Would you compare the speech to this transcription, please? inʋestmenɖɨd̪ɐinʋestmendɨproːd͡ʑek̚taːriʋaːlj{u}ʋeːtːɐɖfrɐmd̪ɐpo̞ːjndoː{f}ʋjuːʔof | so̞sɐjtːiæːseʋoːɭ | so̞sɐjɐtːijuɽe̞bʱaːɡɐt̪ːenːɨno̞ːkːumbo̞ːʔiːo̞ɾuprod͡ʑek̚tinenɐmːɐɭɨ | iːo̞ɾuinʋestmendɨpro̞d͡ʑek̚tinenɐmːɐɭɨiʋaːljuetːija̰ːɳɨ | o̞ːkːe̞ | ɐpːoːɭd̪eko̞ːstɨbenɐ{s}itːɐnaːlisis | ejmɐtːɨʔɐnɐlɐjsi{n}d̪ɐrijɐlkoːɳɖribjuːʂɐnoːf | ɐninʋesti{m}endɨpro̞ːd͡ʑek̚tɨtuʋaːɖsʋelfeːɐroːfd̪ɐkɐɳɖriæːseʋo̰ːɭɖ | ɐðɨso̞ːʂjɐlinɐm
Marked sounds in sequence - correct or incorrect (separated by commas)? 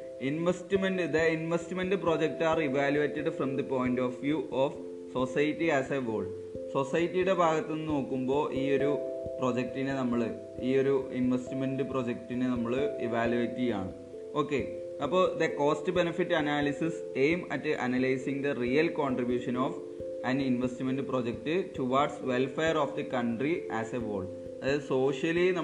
correct, correct, incorrect, incorrect, correct